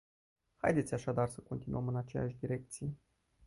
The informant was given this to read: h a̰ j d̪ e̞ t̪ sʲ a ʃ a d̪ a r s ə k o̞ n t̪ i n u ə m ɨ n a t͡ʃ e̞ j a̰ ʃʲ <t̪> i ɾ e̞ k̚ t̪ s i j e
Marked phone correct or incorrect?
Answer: incorrect